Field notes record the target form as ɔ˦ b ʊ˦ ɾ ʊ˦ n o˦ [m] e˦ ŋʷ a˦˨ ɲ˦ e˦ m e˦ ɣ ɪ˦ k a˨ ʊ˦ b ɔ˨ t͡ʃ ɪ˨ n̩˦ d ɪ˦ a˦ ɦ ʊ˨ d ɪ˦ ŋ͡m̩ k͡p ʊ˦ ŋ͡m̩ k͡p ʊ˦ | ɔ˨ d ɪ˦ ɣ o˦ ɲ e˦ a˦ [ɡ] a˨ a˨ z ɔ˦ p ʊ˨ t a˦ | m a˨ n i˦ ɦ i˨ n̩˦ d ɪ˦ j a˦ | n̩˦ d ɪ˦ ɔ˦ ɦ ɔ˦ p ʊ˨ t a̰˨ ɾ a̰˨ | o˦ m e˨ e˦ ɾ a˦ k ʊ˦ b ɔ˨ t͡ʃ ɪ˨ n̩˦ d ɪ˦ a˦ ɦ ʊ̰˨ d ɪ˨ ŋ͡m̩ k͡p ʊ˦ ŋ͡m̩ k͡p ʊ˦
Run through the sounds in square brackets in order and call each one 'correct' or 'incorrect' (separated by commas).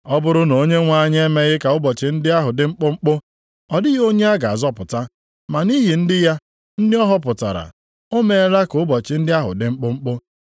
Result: incorrect, correct